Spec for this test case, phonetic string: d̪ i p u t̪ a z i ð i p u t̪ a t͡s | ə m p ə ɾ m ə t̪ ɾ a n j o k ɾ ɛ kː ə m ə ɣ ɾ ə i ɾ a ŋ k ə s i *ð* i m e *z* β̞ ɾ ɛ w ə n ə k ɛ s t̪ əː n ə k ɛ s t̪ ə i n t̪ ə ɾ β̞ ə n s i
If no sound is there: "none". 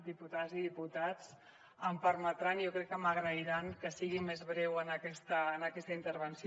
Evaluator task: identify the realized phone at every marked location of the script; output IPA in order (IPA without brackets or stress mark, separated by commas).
ɣ, z